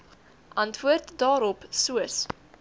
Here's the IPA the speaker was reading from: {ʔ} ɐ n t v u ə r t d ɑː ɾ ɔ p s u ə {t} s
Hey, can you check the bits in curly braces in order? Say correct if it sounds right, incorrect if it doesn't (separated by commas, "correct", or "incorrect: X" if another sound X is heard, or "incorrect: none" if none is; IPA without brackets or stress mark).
correct, incorrect: none